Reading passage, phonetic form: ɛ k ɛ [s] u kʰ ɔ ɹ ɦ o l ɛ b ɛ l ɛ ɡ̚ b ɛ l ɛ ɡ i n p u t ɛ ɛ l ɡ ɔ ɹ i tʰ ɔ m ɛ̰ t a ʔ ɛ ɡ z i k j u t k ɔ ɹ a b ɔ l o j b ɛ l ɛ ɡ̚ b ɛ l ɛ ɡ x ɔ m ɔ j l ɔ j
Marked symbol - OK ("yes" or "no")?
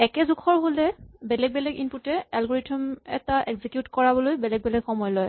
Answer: no